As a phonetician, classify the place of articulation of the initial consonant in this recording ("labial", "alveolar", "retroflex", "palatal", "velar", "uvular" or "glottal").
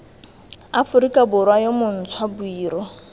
labial